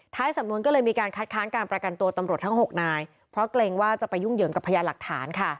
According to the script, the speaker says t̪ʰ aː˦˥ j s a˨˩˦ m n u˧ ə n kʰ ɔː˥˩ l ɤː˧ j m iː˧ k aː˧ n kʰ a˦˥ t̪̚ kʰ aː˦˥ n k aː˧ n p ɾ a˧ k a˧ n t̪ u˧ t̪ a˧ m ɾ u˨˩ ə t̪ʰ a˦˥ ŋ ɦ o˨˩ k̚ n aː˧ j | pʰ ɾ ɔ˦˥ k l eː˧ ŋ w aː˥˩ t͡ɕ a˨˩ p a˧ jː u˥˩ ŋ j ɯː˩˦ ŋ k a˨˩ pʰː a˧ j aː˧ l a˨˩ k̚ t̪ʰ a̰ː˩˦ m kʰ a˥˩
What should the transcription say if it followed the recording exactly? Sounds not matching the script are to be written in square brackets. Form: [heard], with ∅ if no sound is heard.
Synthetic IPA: t̪ʰ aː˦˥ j s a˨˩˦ m n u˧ ə n [k] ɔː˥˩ l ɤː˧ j m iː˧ k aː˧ n kʰ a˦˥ t̪̚ kʰ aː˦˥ n k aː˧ n p ɾ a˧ k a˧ n t̪ u˧ t̪ a˧ m ɾ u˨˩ ə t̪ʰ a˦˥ ŋ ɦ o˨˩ k̚ n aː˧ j | pʰ ɾ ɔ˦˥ k l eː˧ ŋ w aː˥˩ t͡ɕ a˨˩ p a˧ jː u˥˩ ŋ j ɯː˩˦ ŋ k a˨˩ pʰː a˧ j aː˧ l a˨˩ k̚ t̪ʰ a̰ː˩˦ [n] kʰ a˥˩